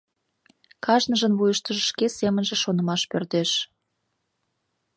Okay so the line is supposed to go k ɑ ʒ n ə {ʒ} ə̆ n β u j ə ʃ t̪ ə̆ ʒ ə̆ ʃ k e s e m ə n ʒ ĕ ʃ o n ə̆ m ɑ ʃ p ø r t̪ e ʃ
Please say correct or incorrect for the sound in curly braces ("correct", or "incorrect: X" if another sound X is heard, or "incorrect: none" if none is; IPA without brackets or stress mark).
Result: correct